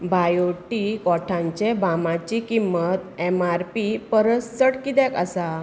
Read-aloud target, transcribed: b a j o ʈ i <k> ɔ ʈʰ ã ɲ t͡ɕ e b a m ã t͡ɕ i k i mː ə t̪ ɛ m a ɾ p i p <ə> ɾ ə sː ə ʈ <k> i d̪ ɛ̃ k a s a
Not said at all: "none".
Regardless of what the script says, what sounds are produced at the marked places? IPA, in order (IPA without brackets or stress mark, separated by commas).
k, ə, k